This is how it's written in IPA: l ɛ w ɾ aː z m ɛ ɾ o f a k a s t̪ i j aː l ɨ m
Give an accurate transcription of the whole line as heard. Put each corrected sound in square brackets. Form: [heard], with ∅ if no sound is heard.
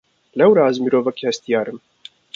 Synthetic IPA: l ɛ w ɾ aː z m [i] ɾ o [v] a k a s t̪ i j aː [ɾ] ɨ m